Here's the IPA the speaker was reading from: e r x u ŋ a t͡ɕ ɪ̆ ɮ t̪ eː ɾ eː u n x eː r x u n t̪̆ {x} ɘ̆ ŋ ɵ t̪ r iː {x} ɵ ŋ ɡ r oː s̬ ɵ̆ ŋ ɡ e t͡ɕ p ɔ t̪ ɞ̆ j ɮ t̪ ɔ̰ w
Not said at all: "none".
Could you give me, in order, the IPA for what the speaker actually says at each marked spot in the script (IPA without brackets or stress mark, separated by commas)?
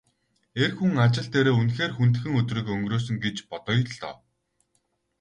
x, k